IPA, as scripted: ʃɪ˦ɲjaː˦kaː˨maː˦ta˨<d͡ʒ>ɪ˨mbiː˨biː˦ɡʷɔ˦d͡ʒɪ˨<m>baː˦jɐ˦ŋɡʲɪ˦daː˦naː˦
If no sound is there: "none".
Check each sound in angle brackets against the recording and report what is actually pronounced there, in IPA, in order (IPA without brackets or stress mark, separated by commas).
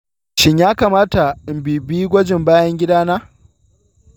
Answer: none, m